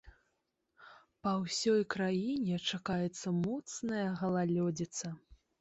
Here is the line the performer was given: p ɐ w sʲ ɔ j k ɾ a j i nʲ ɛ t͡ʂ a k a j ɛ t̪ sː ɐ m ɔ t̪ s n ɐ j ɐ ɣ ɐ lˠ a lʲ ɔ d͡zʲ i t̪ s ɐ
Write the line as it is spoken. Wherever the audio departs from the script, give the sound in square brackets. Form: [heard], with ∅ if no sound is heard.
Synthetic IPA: p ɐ w sʲ ɔ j k ɾ a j i nʲ ɛ t͡ʂ a k a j ɛ t̪ sː ɐ m ɔ t̪ s n ɐ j ɐ ɣ ɐ lˠ a lʲ ɔ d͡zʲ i t̪ s ɐ